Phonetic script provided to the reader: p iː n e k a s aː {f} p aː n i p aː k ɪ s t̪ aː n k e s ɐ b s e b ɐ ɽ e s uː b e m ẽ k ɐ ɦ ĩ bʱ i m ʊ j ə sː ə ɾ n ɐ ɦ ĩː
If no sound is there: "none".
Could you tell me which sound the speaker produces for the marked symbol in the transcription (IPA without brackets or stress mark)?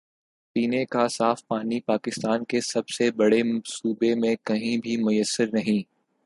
f